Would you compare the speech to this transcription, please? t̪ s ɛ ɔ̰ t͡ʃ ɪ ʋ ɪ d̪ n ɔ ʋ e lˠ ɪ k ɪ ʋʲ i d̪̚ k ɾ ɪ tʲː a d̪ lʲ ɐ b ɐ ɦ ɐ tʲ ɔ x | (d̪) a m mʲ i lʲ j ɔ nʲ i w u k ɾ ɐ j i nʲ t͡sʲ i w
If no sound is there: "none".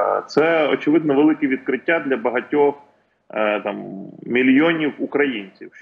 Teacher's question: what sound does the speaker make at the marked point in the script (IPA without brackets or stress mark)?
t̪